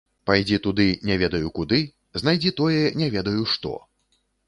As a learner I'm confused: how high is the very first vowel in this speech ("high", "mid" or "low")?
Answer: low